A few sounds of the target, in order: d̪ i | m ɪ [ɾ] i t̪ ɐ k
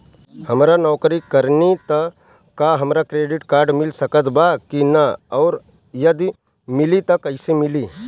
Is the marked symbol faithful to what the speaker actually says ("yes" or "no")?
no